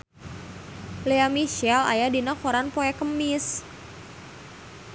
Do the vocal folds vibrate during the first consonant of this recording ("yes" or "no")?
yes